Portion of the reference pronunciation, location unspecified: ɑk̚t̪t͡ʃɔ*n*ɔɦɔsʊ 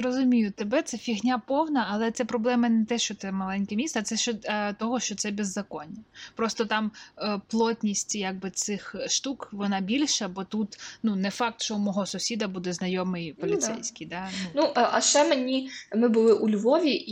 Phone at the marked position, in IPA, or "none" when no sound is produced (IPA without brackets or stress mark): m